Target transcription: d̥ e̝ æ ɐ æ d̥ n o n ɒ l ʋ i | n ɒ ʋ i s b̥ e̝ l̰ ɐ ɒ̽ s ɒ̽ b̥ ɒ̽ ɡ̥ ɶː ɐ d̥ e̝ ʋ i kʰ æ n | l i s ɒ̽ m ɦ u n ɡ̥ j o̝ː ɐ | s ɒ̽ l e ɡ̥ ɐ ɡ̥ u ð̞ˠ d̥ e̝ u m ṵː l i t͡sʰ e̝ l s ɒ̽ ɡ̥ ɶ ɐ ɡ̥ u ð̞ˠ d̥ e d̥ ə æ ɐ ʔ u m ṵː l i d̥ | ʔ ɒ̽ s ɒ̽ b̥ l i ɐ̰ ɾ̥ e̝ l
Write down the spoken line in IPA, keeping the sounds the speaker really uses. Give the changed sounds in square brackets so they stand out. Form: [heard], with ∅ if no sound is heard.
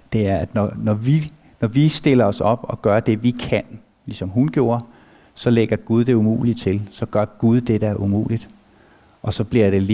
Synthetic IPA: d̥ e̝ æ ɐ æ d̥ n [ɒ] n ɒ [∅] ʋ i | n ɒ ʋ i s [d̥] e̝ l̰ ɐ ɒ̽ s ɒ̽ b̥ ɒ̽ ɡ̥ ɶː ɐ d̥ e̝ ʋ i kʰ æ n | l i s ɒ̽ m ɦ u n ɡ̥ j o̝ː ɐ | s ɒ̽ l e ɡ̥ ɐ ɡ̥ u ð̞ˠ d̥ e̝ u m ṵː l i t͡sʰ e̝ l s ɒ̽ ɡ̥ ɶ ɐ ɡ̥ u ð̞ˠ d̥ e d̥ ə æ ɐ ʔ u m ṵː l i d̥ | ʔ ɒ̽ s ɒ̽ b̥ l i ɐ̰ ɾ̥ e̝ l